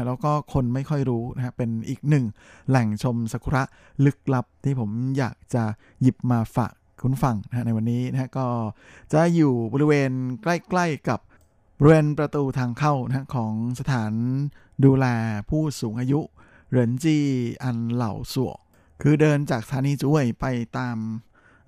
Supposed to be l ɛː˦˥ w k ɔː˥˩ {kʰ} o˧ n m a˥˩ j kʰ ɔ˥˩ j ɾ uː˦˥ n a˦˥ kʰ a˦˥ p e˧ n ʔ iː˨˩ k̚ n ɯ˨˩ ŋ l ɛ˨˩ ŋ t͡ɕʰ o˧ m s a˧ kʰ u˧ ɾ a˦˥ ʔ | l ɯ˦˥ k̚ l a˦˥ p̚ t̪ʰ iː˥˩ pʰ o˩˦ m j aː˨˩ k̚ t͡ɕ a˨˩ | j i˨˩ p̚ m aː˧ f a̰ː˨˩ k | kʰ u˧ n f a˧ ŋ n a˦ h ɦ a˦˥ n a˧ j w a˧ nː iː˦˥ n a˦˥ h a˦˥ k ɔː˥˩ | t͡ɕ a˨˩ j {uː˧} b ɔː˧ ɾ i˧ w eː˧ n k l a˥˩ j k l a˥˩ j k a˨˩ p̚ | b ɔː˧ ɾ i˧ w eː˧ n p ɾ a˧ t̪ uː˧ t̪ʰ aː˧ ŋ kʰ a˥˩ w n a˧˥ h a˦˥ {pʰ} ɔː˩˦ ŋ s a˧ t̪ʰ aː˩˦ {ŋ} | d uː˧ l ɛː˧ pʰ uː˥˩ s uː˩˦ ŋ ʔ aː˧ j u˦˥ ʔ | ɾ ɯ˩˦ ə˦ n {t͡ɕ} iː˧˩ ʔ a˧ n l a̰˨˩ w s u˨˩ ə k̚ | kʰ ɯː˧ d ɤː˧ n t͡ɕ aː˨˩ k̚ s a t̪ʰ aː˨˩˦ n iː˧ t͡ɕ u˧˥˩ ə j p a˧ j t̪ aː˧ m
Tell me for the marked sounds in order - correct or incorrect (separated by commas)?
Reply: correct, incorrect, incorrect, incorrect, correct